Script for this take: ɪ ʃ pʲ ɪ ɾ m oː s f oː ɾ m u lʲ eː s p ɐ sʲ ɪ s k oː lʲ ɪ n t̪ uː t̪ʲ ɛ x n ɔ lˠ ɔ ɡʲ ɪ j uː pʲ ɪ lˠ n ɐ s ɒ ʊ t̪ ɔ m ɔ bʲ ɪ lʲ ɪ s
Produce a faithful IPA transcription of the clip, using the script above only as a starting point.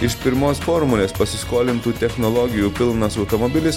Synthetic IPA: ɪ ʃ pʲ ɪ ɾ m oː s f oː ɾ m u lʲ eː s p ɐ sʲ ɪ s k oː lʲ ɪ n t̪ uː t̪ʲ ɛ x n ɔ lˠ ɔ ɡʲ ɪ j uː pʲ ɪ lˠ n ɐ s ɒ ʊ t̪ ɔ m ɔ bʲ ɪ lʲ ɪ s